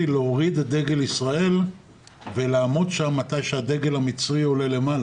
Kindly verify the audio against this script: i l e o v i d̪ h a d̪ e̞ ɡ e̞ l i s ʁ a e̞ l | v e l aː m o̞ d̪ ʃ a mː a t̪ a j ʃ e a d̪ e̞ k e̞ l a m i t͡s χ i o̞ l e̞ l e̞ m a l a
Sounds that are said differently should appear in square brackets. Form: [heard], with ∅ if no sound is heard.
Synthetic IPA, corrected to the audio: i l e o [ʁ] i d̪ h a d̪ e̞ ɡ e̞ l i s ʁ a e̞ l | v e l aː m o̞ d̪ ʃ a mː a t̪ a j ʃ e a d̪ e̞ [ɡ] e̞ l a m i t͡s [ʁ] i o̞ l e̞ l e̞ m a l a